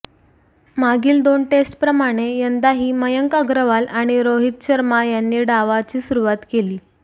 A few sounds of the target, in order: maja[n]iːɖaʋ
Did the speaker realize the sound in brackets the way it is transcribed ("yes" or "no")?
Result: no